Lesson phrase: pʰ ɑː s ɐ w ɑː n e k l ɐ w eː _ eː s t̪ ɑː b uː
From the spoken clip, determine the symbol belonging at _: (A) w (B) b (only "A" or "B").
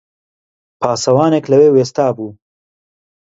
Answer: A